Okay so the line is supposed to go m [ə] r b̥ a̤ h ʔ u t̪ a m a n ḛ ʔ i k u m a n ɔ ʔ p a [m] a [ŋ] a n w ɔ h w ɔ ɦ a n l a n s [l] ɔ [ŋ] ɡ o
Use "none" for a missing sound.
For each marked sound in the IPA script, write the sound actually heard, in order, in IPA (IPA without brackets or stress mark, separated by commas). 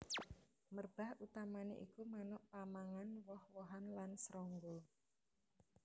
ə, m, ŋ, ɾ, ŋ